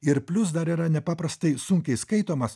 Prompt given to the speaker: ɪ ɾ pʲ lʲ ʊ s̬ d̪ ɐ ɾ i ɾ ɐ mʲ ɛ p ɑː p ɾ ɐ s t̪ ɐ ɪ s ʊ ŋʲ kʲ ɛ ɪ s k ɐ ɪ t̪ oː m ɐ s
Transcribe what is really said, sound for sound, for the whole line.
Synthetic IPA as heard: ɪ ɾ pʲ lʲ ʊ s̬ d̪ ɐ ɾ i ɾ ɐ nʲ ɛ p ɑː p ɾ ɐ s t̪ ɐ ɪ s ʊ ŋʲ kʲ ɛ ɪ s k ɐ ɪ t̪ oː m ɐ s